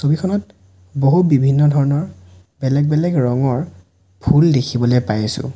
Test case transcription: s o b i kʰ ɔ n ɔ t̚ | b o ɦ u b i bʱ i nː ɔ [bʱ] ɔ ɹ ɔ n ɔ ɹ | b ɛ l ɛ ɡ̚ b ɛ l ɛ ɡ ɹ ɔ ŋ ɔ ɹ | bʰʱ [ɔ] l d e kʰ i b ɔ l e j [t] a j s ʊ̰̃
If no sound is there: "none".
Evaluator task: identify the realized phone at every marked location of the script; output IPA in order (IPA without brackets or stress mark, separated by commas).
dʱ, u, p